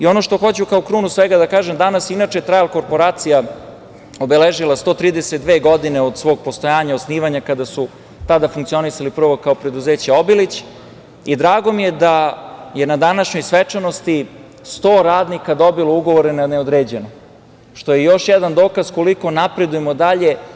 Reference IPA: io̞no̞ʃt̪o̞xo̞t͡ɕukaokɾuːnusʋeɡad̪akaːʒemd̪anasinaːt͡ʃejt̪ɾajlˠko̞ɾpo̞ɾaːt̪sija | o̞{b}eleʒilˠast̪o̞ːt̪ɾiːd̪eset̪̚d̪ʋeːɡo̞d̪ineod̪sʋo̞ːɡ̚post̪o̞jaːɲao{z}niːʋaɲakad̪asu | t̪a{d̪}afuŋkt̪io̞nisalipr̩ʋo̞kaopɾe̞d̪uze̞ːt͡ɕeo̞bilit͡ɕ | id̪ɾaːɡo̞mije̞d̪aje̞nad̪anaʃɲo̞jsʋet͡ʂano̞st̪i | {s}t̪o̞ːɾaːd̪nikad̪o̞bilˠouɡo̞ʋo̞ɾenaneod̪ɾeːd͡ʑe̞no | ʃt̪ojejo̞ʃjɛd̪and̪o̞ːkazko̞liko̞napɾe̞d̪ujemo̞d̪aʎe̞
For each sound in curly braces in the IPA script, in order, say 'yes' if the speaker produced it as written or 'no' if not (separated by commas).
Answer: yes, no, yes, yes